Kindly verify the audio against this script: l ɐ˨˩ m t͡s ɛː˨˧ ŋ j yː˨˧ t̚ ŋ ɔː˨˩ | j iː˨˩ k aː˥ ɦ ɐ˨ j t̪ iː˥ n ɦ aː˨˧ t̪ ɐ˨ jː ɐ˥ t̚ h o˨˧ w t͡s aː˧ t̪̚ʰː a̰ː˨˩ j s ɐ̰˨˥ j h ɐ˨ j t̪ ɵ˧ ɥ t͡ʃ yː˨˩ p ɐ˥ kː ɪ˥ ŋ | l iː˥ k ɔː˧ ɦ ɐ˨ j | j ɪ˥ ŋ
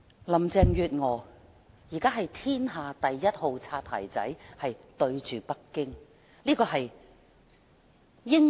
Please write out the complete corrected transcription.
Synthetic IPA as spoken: l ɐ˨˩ m t͡s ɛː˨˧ ŋ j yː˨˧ t̚ ŋ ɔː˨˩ | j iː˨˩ k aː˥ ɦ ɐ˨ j t̪ʰ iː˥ n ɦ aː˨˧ t̪ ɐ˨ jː ɐ˥ t̚ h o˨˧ w t͡sʰ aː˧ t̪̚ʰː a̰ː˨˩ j t͡s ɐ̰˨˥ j h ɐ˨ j t̪ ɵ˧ ɥ t͡ʃ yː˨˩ p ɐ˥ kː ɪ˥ ŋ | l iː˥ k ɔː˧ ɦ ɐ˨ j | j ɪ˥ ŋ